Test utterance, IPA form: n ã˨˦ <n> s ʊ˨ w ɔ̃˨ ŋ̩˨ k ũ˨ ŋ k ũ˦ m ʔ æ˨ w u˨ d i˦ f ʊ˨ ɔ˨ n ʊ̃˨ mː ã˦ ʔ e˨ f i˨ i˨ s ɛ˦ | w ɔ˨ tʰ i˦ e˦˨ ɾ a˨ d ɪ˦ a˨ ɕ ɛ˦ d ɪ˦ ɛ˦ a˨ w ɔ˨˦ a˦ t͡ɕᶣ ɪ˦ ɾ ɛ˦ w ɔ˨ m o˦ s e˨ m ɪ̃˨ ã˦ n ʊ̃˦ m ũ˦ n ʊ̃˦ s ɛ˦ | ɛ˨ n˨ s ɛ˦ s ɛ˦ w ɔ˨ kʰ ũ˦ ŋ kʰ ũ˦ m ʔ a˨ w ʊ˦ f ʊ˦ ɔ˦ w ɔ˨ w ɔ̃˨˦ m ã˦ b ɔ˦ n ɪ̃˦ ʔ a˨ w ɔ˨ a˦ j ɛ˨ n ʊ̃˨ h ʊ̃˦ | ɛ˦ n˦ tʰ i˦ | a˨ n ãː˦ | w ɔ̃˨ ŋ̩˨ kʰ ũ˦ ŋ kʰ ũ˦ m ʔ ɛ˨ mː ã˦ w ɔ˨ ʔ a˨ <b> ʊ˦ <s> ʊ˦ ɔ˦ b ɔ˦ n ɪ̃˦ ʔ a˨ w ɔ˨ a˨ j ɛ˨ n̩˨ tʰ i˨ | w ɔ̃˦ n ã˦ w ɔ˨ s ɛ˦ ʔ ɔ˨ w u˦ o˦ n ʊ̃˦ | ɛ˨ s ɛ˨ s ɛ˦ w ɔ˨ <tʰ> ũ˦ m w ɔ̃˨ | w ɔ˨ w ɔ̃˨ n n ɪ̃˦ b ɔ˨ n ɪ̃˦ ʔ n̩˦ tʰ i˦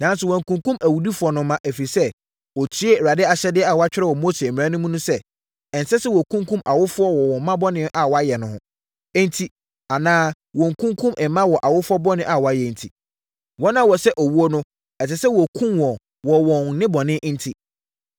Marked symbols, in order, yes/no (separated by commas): yes, no, no, no